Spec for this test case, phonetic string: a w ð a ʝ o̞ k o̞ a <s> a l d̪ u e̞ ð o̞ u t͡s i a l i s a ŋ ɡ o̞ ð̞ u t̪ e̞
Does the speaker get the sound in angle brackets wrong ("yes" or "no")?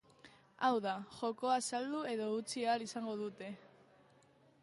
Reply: no